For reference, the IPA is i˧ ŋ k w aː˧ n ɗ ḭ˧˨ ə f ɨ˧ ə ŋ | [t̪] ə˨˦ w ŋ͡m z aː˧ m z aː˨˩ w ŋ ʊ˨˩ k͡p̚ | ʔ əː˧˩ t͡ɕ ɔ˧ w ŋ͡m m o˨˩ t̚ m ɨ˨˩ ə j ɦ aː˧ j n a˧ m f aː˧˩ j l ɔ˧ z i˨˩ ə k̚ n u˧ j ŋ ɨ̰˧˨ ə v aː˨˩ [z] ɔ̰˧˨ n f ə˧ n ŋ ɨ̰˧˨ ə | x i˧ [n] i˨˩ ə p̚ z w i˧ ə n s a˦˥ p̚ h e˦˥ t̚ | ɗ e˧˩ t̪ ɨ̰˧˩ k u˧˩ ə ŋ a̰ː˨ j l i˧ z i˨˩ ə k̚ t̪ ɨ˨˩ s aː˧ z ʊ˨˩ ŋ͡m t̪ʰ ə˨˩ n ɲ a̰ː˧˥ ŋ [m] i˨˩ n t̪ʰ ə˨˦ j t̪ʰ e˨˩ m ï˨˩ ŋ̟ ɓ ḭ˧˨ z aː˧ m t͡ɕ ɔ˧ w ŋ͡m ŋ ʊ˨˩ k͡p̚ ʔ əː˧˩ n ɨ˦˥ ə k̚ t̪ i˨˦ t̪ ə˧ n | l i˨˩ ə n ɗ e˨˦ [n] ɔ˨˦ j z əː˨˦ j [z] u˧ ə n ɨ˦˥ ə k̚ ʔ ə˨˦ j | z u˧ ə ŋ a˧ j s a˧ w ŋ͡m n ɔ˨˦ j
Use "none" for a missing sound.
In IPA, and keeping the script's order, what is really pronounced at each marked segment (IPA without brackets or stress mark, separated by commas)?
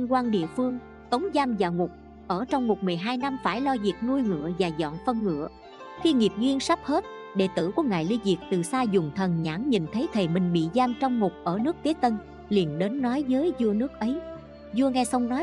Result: t̪, z, ŋ, ɲ, nː, z